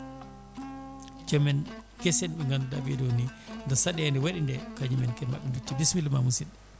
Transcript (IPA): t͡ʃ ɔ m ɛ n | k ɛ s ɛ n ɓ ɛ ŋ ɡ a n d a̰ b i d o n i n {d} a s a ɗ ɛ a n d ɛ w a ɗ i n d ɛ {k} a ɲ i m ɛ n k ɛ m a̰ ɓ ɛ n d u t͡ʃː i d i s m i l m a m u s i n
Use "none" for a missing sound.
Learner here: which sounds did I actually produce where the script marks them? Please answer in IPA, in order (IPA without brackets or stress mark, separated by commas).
d, k